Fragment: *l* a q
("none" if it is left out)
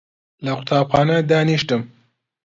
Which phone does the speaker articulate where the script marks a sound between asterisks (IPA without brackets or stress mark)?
l